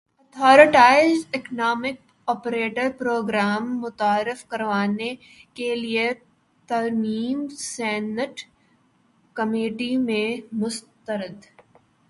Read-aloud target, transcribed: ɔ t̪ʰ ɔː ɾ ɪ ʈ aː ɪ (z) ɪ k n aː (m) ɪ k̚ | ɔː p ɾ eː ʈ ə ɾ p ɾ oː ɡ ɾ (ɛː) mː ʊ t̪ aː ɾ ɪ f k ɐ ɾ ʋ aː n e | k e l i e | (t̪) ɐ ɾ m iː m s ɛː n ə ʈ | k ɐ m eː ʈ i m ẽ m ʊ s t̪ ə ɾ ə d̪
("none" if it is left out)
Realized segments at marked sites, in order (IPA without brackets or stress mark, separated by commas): z, m, aː, t̪